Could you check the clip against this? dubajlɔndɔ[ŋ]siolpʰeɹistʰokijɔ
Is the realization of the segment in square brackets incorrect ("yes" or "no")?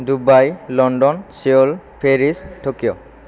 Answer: yes